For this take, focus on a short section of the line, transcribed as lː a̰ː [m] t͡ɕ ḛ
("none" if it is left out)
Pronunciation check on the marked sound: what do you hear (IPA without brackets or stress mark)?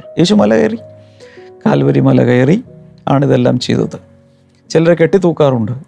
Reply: m